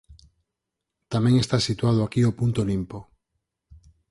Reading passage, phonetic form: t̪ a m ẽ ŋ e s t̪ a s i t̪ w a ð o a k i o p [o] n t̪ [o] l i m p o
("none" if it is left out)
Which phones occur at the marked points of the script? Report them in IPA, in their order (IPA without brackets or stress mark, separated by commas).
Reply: u, o